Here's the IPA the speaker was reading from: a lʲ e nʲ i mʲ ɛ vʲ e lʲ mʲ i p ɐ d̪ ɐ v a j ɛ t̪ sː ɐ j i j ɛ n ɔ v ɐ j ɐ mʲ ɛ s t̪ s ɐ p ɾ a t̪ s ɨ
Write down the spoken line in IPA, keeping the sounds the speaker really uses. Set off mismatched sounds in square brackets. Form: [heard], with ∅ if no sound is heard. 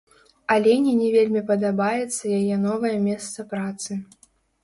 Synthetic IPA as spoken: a lʲ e nʲ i [nʲ] ɛ vʲ e lʲ mʲ i p ɐ d̪ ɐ [b] a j ɛ t̪ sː ɐ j [a] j ɛ n ɔ v ɐ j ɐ mʲ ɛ s t̪ s ɐ p ɾ a t̪ s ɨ